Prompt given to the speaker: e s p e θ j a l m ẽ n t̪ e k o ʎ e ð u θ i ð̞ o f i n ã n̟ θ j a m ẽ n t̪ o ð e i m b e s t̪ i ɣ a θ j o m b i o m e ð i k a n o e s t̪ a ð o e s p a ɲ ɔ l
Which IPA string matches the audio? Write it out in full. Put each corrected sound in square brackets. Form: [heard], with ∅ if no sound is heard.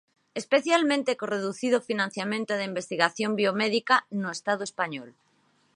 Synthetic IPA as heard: e s p e θ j a l m ẽ n t̪ e k o [r] e ð u θ i ð̞ o f i n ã n̟ θ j a m ẽ n t̪ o ð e i m b e s t̪ i ɣ a θ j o m b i o m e ð i k a n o e s t̪ a ð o e s p a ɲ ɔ l